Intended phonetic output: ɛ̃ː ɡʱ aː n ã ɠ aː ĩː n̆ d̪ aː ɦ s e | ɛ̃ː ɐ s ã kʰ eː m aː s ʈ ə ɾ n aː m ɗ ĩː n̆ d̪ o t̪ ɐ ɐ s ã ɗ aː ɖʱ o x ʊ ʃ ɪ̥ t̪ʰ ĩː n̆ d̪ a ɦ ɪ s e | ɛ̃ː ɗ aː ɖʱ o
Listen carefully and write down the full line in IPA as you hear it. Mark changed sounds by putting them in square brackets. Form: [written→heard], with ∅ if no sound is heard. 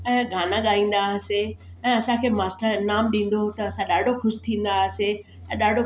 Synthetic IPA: ɛ̃ː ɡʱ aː n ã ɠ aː ĩː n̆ d̪ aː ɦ s e | ɛ̃ː ɐ s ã kʰ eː m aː s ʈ ə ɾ n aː m ɗ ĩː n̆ d̪ o t̪ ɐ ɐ s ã ɗ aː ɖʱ o x ʊ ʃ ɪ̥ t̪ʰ ĩː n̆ d̪ a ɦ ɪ s e | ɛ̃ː ɗ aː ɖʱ o